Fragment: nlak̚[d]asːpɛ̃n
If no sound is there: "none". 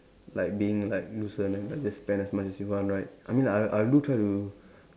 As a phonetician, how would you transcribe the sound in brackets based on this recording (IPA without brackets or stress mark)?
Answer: d͡ʒ